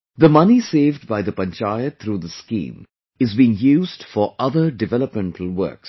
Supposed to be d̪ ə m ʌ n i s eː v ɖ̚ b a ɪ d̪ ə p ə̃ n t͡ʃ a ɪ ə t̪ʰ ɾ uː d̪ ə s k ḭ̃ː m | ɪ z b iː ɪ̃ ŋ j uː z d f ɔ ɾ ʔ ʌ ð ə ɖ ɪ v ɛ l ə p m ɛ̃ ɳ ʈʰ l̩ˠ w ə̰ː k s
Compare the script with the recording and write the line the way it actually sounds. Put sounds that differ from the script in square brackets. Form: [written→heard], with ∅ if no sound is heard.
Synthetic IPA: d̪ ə m ʌ n i s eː v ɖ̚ b a ɪ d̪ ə p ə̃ n t͡ʃ a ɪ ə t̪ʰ ɾ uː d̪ ə s k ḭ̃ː m | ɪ z b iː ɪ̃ ŋ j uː z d f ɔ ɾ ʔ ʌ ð ə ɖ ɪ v ɛ l ə p m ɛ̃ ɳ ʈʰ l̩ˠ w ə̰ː k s